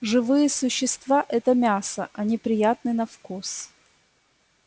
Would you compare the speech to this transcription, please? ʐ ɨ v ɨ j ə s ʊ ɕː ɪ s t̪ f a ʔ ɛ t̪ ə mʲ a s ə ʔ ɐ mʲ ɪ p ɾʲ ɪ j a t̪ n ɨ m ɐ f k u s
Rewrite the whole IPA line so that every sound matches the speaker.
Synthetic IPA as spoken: ʐ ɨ v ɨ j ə s ʊ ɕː ɪ s t̪ v a ʔ ɛ t̪ ə mʲ a s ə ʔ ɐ nʲ ɪ p ɾʲ ɪ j a t̪ n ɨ n ɐ f k u s